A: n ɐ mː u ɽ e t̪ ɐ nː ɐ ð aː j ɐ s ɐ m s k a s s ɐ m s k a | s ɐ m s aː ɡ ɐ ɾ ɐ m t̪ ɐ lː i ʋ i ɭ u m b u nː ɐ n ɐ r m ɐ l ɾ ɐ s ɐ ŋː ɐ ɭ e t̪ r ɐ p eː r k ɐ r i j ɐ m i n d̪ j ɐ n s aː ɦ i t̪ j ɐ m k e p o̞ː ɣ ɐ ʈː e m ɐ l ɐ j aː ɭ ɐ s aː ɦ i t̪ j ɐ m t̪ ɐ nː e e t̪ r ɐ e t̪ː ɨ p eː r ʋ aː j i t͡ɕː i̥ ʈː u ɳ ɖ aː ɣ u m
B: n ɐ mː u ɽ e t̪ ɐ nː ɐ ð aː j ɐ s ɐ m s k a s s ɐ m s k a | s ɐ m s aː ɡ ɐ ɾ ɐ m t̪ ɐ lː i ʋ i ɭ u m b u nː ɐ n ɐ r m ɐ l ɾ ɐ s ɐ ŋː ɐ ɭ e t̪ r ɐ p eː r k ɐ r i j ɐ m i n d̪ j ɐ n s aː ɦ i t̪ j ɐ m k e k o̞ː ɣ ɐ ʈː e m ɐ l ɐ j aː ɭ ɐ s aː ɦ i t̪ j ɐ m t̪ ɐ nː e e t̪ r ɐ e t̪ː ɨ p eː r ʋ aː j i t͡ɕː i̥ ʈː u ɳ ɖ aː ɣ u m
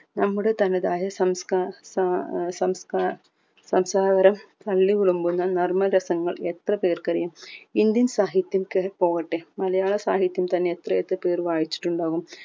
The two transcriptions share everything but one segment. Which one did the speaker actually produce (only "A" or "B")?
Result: A